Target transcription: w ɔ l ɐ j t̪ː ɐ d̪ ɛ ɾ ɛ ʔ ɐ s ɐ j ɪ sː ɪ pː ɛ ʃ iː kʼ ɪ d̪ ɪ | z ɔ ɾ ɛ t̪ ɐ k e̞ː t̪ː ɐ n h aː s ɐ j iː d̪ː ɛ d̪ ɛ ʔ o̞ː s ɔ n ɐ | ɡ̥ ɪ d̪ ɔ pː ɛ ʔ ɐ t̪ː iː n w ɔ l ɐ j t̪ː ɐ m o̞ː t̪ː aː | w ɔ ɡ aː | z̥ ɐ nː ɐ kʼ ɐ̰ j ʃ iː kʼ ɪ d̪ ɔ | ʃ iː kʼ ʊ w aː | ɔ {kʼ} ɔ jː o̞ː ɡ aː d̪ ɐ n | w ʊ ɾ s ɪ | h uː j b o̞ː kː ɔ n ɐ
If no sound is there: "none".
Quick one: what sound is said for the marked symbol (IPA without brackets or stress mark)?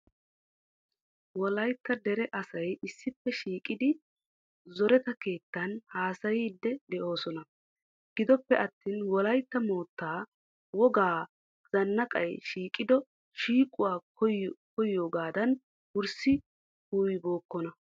k